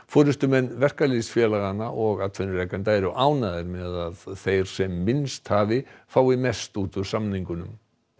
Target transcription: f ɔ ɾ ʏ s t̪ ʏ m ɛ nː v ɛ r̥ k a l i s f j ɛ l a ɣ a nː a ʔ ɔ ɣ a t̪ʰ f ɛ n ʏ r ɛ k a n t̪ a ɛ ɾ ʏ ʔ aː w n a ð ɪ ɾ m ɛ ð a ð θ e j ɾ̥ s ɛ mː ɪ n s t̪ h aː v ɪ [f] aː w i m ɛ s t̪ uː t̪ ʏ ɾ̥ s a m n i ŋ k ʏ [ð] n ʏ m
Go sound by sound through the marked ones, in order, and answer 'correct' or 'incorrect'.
correct, incorrect: none

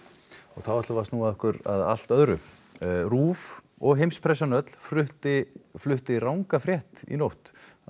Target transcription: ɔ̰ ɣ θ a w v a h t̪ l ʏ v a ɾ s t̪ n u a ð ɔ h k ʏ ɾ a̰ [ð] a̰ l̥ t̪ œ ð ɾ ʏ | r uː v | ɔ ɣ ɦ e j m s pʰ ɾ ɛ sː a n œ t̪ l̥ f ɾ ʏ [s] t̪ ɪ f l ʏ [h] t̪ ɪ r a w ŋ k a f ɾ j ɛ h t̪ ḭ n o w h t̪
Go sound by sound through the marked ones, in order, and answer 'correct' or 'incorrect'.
correct, incorrect: h, correct

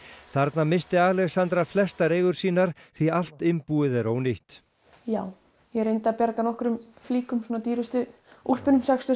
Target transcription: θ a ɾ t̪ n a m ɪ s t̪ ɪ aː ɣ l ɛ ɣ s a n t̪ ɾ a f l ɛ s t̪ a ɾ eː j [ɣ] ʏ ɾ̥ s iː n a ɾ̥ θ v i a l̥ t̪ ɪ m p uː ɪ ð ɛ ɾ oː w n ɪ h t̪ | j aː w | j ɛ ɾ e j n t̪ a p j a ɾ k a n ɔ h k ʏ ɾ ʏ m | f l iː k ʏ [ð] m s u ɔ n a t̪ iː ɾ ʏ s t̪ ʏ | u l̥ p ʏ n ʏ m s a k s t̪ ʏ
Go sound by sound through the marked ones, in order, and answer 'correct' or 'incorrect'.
correct, incorrect: none

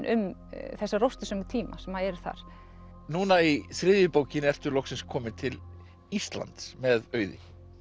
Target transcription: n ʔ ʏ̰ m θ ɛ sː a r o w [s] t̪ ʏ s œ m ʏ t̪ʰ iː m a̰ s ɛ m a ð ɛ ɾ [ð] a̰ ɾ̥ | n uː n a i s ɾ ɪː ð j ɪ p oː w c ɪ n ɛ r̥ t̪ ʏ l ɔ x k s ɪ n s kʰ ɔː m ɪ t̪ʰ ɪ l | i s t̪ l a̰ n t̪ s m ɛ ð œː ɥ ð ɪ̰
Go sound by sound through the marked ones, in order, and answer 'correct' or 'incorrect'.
correct, incorrect: θ

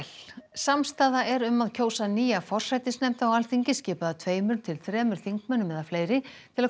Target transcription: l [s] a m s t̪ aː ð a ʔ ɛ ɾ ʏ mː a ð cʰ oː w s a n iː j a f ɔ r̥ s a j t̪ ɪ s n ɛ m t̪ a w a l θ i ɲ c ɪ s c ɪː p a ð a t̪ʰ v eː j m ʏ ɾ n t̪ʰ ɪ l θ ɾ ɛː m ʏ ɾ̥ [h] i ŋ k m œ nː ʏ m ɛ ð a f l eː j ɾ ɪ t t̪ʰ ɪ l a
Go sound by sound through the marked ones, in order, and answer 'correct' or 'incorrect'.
correct, incorrect: θ

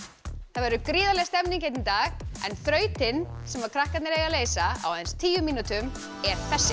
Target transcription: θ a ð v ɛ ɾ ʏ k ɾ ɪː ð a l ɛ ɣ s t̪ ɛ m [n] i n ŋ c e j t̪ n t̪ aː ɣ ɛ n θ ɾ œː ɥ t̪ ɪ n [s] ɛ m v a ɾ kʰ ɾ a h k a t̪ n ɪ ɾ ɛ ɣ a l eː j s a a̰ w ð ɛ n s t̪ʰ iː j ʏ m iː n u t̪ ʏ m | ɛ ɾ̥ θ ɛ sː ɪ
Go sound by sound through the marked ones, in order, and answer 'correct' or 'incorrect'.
correct, correct

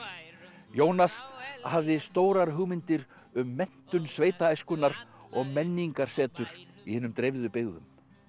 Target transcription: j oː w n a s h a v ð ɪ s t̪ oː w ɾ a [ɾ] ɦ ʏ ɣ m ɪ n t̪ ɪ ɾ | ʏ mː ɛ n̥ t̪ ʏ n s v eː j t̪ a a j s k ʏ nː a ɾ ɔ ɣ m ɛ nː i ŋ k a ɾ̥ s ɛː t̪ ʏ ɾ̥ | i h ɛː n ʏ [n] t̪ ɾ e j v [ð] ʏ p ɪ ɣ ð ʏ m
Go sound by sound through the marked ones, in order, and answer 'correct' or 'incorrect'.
correct, incorrect: m, correct

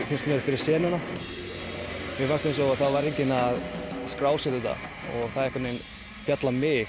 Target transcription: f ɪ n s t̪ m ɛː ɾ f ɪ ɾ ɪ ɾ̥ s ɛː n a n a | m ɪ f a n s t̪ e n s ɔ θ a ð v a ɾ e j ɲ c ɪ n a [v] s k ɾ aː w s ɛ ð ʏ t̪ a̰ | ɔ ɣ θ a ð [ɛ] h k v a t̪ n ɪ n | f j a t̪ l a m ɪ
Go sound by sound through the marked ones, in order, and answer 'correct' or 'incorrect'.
incorrect: ð, correct

